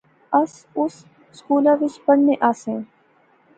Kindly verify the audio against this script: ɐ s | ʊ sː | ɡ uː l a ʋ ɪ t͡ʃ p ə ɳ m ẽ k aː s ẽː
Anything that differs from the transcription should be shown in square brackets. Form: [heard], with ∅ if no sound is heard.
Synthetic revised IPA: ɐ s | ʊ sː | [k] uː l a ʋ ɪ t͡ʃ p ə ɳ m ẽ [ʔ] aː s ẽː